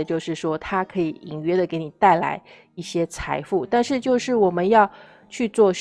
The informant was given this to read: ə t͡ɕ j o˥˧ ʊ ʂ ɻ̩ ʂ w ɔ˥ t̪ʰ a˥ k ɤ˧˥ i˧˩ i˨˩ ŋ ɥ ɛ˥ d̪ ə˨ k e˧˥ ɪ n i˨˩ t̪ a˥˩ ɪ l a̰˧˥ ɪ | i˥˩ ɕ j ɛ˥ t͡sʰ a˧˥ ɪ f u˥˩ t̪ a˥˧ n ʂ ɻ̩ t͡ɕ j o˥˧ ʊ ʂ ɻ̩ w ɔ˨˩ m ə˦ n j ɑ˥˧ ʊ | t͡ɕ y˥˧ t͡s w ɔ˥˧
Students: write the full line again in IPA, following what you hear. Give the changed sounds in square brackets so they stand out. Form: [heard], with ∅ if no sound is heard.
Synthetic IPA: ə t͡ɕ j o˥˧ ʊ ʂ ɻ̩ ʂ w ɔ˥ t̪ʰ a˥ [kʰ] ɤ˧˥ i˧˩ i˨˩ ŋ ɥ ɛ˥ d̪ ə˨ k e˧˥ ɪ n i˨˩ t̪ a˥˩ ɪ l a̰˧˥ ɪ | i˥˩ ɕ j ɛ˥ t͡sʰ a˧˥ ɪ f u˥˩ t̪ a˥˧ n ʂ ɻ̩ t͡ɕ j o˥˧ ʊ ʂ ɻ̩ w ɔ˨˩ m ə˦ n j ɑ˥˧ ʊ | [t͡ɕʰ] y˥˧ t͡s w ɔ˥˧